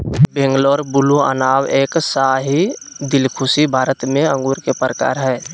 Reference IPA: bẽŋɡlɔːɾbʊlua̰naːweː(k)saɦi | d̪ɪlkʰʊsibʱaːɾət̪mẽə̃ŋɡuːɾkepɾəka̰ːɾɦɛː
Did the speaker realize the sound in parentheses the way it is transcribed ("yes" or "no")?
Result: yes